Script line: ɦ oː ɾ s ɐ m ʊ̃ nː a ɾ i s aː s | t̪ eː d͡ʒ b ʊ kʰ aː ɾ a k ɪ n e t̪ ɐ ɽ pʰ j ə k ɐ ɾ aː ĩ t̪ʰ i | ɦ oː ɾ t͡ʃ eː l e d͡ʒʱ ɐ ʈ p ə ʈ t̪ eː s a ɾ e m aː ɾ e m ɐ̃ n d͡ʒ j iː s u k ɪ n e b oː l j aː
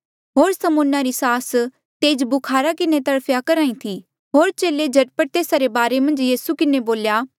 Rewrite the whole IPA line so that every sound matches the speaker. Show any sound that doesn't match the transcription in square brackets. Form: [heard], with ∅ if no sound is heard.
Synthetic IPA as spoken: ɦ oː ɾ s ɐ m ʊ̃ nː a ɾ i s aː s | t̪ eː d͡ʒ b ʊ kʰ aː ɾ a k ɪ n e t̪ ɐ ɽ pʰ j [a] k ɐ ɾ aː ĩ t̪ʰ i | ɦ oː ɾ t͡ʃ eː l e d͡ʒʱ ɐ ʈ p ə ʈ t̪ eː s a ɾ e [b] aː ɾ e m ɐ̃ n d͡ʒ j iː s u k ɪ n e b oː l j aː